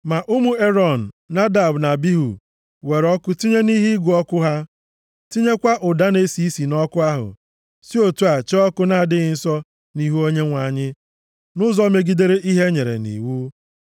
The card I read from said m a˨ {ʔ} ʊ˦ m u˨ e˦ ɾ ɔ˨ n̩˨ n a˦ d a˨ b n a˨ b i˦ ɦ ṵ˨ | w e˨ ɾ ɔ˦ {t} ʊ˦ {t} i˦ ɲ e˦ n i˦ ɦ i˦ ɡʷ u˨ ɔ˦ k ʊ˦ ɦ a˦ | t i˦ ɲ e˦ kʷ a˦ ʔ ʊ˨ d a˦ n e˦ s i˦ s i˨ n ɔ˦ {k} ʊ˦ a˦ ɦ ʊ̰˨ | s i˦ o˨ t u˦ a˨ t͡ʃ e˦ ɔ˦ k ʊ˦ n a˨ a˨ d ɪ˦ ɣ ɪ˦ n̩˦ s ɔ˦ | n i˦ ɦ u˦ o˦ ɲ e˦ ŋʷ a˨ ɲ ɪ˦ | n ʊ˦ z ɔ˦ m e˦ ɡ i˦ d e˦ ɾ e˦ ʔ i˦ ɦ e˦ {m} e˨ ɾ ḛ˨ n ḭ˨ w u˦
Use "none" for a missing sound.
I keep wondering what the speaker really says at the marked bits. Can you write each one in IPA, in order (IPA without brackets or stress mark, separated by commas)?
ʔ, k, t, k, ɲ